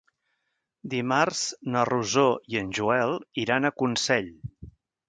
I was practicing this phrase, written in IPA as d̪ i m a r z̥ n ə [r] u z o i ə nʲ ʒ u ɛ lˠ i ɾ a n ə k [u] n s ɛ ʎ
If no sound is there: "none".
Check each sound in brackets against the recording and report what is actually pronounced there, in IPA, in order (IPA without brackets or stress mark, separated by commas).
r, u